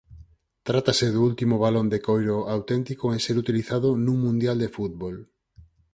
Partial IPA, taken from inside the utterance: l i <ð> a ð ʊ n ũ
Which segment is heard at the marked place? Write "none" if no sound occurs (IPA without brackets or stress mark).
θ